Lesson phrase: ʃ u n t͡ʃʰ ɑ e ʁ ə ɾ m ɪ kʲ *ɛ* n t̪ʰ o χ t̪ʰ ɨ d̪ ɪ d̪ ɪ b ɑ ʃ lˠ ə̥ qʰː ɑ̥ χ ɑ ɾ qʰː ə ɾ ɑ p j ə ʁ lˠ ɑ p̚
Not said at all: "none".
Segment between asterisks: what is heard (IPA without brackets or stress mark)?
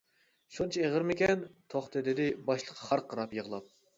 ɛ